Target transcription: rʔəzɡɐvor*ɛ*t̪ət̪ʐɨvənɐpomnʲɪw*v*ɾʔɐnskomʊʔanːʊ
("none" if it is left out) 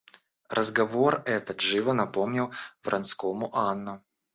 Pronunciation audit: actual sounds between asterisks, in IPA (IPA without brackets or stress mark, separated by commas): ɛ, v